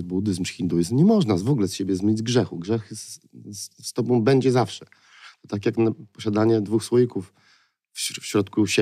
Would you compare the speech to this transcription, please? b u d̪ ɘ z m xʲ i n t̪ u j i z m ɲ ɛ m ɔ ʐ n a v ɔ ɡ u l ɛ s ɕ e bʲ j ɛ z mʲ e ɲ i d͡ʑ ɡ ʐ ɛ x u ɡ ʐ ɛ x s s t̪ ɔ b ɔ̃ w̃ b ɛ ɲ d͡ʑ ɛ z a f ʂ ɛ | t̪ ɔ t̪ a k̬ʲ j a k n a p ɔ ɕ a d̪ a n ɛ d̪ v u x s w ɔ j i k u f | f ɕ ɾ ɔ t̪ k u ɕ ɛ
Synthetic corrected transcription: b u d̪ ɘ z m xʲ i n d̪ u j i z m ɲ ɛ m ɔ ʐ n a v ɔ ɡ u l ɛ s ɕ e bʲ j ɛ z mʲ e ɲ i d͡ʑ ɡ ʐ ɛ x u ɡ ʐ ɛ x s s t̪ ɔ b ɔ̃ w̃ b ɛ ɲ d͡ʑ ɛ z a f ʂ ɛ | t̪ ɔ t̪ a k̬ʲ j a k n a p ɔ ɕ a d̪ a ɲ ɛ d̪ v u x s w ɔ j i k u f | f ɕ ɾ ɔ t̪ k u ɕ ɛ